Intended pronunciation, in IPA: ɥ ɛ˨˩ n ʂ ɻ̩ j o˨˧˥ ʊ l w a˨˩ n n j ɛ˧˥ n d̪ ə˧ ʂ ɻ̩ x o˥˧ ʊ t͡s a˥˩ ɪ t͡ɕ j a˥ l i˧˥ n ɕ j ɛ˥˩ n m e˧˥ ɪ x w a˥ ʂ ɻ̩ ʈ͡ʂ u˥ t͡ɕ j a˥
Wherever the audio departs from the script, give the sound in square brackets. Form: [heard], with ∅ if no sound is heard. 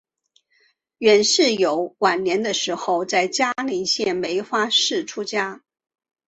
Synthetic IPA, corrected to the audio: ɥ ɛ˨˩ n ʂ ɻ̩ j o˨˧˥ ʊ [∅] w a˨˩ n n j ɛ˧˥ n d̪ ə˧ ʂ ɻ̩ x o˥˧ ʊ t͡s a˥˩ ɪ t͡ɕ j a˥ l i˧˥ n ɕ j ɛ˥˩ n m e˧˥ ɪ x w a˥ ʂ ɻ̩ [ʈ͡ʂʰ] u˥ t͡ɕ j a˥